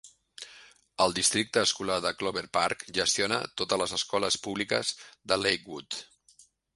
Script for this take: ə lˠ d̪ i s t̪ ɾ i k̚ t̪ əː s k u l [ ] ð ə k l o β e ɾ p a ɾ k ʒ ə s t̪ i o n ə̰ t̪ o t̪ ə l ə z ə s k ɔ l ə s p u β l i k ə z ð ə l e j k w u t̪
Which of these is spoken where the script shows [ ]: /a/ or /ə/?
a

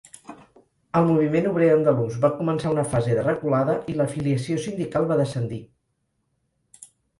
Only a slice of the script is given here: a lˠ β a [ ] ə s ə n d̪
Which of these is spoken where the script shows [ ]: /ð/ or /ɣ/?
ð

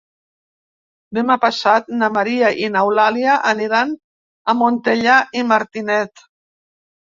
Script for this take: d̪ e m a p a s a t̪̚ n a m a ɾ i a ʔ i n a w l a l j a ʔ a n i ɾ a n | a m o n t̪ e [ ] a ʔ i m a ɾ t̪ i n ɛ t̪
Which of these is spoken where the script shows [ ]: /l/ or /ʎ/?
ʎ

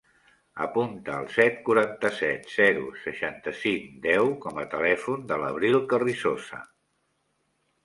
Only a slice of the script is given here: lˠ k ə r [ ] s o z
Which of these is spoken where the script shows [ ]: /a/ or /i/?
i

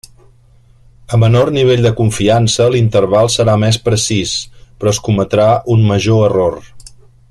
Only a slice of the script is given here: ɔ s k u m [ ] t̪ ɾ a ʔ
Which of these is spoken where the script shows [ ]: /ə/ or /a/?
ə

